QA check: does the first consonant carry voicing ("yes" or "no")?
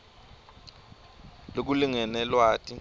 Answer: yes